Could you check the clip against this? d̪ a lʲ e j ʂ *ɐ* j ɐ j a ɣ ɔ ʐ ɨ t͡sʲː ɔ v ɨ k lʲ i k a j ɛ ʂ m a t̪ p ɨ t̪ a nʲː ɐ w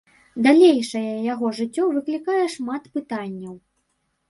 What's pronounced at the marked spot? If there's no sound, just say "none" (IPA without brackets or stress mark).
ɐ